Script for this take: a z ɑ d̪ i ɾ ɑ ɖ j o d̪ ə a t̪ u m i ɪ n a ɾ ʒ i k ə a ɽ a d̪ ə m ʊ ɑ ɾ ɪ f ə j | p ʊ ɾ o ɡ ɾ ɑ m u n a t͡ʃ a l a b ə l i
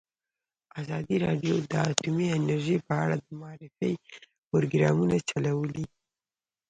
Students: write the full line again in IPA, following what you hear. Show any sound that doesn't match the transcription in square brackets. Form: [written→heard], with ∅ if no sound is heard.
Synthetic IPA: a z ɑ d̪ i ɾ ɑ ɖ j o d̪ ə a t̪ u m i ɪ n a ɾ ʒ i [k→p] ə a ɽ a d̪ ə m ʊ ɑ ɾ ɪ f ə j | p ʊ ɾ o ɡ ɾ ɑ m u n a t͡ʃ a l a [b→w] ə l i